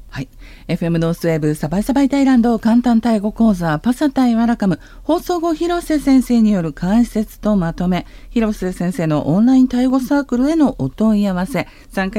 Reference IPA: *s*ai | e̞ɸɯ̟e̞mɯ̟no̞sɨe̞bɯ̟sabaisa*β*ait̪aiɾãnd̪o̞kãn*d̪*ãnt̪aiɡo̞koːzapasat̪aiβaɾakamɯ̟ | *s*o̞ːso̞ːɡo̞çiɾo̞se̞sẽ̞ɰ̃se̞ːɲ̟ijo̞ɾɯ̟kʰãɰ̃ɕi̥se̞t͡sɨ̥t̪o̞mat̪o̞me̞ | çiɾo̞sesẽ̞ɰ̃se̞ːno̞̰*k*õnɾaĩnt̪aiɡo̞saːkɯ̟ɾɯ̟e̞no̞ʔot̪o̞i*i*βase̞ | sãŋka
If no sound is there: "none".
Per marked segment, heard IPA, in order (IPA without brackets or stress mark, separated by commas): h, b, t̪, h, ʔ, a